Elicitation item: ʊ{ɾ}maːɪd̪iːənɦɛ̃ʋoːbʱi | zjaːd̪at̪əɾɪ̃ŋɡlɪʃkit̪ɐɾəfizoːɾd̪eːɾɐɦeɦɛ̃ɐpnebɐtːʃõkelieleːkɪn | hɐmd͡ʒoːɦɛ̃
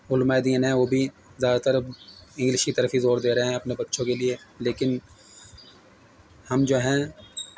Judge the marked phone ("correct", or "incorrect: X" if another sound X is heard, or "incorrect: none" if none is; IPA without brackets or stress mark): incorrect: l